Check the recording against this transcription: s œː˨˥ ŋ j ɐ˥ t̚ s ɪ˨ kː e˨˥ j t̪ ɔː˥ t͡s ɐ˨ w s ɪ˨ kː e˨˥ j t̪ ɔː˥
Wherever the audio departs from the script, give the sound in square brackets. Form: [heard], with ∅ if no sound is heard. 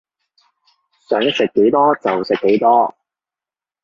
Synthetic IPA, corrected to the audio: s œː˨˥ ŋ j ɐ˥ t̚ s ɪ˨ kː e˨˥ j t̪ ɔː˥ t͡s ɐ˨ w s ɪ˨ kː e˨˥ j t̪ ɔː˥